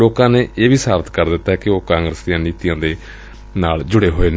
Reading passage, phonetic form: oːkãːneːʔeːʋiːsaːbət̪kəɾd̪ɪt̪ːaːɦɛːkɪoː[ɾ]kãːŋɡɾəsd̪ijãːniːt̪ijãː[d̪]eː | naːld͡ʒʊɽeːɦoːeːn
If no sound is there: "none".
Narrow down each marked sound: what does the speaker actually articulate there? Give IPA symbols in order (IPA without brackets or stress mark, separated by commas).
none, d̪